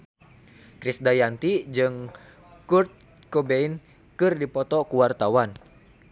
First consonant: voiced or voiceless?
voiceless